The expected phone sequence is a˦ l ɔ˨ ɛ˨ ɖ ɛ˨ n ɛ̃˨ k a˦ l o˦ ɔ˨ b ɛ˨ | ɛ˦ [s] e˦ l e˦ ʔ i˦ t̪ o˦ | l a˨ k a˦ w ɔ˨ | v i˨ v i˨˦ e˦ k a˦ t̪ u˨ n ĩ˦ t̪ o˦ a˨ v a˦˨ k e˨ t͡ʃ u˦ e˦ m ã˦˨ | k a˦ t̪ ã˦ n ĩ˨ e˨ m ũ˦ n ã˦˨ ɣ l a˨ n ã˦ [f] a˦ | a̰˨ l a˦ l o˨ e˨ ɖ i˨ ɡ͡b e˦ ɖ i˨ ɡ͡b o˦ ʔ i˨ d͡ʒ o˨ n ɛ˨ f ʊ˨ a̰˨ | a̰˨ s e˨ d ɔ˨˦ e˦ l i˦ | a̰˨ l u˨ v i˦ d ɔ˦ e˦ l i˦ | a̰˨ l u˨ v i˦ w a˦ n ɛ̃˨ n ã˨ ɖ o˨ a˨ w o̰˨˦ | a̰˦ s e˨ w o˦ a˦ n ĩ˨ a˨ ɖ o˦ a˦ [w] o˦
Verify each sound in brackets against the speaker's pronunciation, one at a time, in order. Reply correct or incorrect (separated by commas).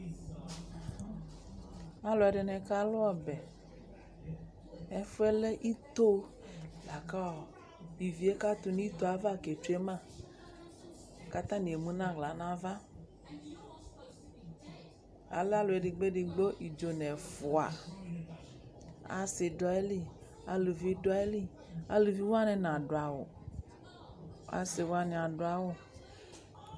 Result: incorrect, incorrect, correct